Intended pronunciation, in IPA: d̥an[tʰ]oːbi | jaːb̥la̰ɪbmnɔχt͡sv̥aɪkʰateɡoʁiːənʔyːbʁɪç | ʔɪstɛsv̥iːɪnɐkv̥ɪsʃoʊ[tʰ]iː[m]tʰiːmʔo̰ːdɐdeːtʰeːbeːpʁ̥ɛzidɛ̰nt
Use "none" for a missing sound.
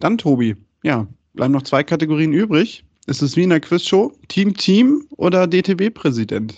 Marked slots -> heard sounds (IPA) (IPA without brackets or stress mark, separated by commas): tʰ, tʰ, m